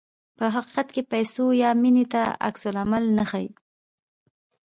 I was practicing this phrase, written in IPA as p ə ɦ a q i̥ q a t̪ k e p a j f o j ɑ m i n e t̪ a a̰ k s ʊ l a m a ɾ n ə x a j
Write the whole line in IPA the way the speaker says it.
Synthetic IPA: p ə ɦ a q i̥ q a t̪ k e p a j s o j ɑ m i n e t̪ a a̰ k s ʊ l a m a l n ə x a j